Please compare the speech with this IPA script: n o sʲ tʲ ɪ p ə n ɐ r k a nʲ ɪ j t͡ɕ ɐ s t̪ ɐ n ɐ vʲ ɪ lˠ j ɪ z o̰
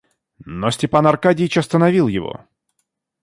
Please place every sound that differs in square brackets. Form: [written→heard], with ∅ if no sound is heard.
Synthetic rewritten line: n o sʲ tʲ ɪ p [ə→a] n ɐ r k a [nʲ→dʲ] ɪ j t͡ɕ ɐ s t̪ [ɐ→ə] n ɐ vʲ [ɪ→i] lˠ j ɪ [z→v] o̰